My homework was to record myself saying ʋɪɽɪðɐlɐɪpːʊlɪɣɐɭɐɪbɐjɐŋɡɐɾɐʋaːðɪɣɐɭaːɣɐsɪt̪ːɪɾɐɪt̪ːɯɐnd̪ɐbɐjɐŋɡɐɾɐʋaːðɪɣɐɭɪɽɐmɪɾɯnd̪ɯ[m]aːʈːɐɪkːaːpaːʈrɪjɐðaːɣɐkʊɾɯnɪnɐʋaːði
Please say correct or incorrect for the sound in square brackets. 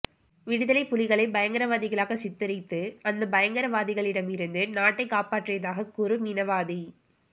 incorrect: n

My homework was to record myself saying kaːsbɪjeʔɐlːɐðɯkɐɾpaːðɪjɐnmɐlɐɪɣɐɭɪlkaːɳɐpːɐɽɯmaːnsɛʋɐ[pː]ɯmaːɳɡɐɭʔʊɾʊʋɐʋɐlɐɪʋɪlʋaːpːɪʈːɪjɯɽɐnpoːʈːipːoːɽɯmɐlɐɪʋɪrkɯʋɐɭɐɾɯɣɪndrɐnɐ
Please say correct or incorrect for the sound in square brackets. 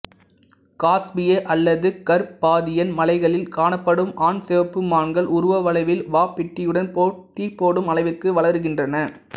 correct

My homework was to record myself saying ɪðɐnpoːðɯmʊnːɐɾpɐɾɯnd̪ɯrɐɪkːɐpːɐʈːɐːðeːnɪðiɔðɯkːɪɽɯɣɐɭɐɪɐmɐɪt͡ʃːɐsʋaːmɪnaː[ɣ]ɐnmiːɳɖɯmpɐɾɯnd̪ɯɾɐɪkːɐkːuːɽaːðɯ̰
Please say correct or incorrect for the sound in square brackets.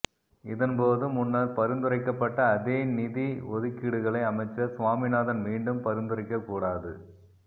incorrect: ð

